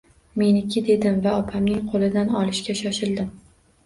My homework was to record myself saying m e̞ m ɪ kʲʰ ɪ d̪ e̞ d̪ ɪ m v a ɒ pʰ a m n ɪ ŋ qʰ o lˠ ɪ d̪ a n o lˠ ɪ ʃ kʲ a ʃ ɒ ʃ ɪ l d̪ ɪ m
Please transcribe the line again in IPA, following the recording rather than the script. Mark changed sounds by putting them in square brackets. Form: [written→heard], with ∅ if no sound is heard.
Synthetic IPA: m e̞ [m→n] ɪ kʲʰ ɪ d̪ e̞ d̪ ɪ m v a ɒ pʰ a m n ɪ ŋ qʰ o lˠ ɪ d̪ a n [o→ɒ] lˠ ɪ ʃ kʲ a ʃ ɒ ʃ ɪ l d̪ ɪ m